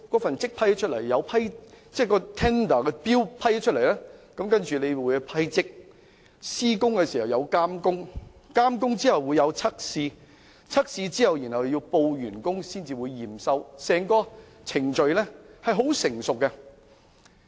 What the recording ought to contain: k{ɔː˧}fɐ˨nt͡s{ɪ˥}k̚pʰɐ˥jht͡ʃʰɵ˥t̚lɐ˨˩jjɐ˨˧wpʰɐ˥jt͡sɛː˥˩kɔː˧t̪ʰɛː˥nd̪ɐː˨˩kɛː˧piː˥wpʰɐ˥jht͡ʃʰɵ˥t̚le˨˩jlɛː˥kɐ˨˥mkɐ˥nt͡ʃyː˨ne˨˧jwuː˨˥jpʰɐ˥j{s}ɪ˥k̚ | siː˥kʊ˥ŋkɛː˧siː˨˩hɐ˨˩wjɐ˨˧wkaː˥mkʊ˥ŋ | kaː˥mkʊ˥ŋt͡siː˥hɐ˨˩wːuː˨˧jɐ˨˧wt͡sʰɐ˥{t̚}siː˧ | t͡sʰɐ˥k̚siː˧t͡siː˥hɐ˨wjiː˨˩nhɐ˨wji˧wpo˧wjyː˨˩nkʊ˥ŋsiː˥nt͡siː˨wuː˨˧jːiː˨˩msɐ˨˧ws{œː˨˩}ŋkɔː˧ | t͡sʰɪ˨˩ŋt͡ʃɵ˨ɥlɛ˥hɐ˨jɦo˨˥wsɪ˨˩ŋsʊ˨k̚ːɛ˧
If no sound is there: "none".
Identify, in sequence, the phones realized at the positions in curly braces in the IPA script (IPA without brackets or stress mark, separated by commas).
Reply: ɔː˨˥, ɪ˥, t͡s, k̚, ɛː˨˩